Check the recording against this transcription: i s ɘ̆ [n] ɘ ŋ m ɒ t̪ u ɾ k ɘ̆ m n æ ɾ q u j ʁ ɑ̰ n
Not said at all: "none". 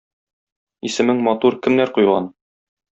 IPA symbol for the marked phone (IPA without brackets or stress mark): m